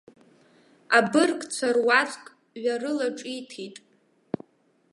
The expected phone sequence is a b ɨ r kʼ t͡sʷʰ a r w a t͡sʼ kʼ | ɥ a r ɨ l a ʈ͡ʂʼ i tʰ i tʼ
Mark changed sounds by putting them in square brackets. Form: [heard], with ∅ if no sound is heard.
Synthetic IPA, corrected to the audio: a b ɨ r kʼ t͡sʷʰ a r w a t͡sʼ kʼ | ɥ a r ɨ l a ʈ͡ʂʼ i tʰ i tʼ